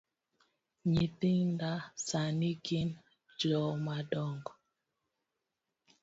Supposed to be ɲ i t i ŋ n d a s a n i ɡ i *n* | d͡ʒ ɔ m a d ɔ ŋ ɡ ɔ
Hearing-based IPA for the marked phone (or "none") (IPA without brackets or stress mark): n